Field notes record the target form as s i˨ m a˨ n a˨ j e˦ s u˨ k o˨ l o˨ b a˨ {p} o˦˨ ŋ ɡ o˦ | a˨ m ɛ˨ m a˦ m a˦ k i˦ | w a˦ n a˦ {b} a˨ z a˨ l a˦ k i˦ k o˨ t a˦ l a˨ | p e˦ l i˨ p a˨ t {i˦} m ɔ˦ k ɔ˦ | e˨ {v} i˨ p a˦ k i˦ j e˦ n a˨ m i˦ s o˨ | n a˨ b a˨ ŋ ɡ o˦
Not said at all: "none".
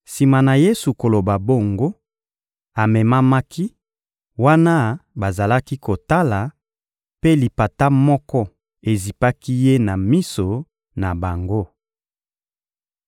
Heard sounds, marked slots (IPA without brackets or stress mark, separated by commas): b, b, a˦, z